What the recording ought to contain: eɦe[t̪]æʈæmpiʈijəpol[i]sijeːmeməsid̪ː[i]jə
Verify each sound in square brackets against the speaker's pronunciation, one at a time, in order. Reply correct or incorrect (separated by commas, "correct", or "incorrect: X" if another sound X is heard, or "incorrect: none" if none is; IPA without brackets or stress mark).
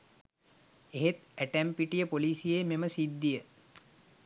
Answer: correct, incorrect: iː, correct